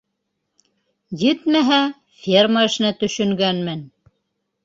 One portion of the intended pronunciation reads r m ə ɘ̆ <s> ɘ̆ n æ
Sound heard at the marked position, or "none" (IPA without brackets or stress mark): ʃ